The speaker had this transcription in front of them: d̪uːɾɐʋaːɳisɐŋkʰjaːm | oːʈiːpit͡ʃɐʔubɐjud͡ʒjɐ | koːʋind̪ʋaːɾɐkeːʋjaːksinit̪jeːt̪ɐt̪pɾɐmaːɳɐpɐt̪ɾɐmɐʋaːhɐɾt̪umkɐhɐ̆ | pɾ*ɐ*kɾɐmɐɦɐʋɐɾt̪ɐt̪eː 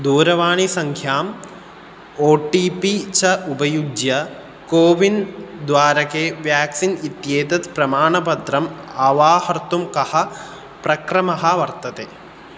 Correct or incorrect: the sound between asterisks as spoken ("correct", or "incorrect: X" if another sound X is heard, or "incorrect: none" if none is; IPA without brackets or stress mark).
correct